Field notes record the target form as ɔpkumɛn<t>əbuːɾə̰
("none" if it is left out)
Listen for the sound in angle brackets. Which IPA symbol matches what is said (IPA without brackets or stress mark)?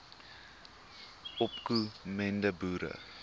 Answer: d